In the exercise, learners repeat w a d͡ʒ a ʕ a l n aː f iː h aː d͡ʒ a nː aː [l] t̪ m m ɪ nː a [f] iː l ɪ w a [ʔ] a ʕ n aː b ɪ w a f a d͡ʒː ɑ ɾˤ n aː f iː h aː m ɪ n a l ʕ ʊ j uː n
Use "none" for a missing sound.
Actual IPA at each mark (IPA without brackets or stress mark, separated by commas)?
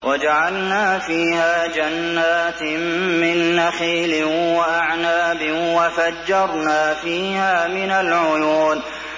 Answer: none, x, ʔ